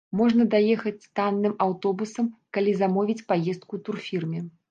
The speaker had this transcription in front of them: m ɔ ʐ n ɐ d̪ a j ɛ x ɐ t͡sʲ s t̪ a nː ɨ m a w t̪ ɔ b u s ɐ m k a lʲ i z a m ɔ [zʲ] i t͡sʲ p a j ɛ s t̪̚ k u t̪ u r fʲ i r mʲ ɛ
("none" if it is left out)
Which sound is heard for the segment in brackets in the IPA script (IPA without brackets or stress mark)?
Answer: vʲ